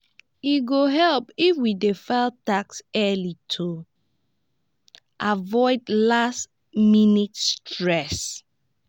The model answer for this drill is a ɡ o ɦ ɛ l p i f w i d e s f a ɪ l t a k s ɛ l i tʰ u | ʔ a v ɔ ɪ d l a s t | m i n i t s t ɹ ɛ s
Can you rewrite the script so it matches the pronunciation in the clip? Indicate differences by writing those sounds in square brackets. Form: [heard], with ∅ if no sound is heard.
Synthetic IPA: [i] ɡ o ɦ ɛ l p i f w i d e [∅] f a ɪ l t a k s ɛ l i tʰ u | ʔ a v ɔ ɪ d l a s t | m i n i t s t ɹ ɛ s

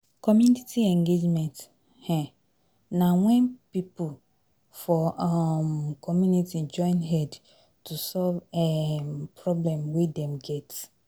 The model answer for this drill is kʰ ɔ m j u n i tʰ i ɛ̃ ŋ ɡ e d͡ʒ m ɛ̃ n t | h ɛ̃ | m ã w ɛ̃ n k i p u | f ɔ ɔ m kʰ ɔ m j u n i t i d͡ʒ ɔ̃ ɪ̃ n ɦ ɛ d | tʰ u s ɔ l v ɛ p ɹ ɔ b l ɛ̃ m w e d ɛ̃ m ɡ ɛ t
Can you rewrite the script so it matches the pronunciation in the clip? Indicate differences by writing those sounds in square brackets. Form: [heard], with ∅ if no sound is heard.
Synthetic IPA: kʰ ɔ m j u n i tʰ i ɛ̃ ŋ ɡ e d͡ʒ m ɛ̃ n t | h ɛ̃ | [n] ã w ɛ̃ n [p] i p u | f ɔ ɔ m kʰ ɔ m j u n i t i d͡ʒ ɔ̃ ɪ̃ n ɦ ɛ d | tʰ u s ɔ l v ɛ p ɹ ɔ b l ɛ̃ m w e d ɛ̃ m ɡ ɛ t

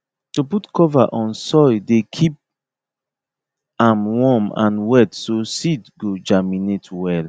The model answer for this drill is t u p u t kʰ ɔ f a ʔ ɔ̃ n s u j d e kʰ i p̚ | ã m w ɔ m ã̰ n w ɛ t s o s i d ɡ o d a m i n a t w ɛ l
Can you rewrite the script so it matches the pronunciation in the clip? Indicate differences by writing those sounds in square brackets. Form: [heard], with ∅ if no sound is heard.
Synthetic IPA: t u p u t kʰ ɔ [v] a ʔ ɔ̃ n s [ɔ] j d e kʰ i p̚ | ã m w ɔ m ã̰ n w ɛ t s o s i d ɡ o [d͡ʒ] a m i n [e] t w ɛ l

